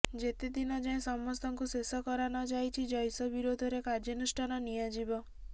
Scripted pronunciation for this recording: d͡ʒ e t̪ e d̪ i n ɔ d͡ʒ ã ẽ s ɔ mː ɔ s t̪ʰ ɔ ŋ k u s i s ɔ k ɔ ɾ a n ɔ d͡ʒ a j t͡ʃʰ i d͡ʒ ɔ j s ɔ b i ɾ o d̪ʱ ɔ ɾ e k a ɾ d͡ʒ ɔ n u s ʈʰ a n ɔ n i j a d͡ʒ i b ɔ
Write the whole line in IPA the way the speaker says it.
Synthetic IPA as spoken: d͡ʒ e t̪ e d̪ i n ɔ d͡ʒ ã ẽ s ɔ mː ɔ s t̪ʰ ɔ ŋ k u s e s ɔ k ɔ ɾ a n ɔ d͡ʒ a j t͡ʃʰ i d͡ʒ ɔ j s ɔ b i ɾ o d̪ʱ ɔ ɾ e k a ɾ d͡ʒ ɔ n u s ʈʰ a n ɔ n i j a d͡ʒ i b ɔ